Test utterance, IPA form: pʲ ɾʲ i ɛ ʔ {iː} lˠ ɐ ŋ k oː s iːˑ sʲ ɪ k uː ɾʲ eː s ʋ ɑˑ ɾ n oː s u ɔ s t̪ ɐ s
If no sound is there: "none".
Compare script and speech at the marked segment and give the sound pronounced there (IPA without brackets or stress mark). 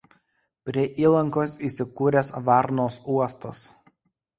iː